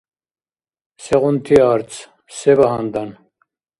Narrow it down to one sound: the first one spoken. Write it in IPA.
s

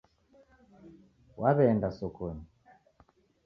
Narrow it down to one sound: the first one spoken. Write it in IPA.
w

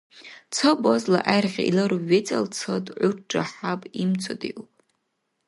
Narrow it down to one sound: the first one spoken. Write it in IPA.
t͡sʰ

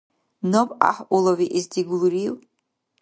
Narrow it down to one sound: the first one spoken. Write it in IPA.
n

